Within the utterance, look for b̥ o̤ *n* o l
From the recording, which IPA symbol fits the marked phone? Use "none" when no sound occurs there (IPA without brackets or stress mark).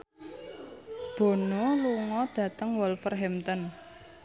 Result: n